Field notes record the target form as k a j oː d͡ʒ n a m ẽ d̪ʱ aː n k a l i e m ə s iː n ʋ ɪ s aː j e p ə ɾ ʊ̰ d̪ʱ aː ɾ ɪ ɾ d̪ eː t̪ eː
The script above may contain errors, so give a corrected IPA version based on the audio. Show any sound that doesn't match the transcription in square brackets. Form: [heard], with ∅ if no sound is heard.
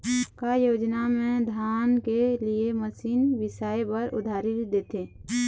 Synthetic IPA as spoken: k a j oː d͡ʒ n a m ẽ d̪ʱ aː n k [e] l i e m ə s iː n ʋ ɪ s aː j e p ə ɾ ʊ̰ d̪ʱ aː ɾ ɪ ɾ d̪ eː t̪ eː